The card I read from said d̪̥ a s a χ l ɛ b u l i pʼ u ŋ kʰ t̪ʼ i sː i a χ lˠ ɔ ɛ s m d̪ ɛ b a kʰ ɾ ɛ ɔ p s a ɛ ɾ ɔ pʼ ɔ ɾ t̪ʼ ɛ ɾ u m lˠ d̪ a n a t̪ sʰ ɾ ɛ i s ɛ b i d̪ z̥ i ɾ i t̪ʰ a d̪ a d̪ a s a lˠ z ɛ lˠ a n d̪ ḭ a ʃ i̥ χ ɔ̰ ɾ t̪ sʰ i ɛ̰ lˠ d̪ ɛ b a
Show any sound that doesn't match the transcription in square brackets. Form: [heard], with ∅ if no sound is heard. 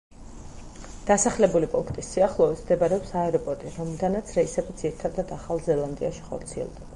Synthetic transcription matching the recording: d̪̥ a s a χ l ɛ b u l i pʼ u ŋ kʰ t̪ʼ i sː i a χ lˠ ɔ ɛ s m d̪ ɛ b a [∅] ɾ ɛ ɔ p s a ɛ ɾ ɔ pʼ ɔ ɾ t̪ʼ [i] ɾ [ɔ] m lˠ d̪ a n a t̪ sʰ ɾ ɛ i s ɛ b i d̪ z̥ i ɾ i t̪ʰ a d̪ a d̪ a [χ] a lˠ z ɛ lˠ a n d̪ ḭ a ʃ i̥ χ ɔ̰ ɾ t̪ sʰ i ɛ̰ lˠ d̪ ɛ b a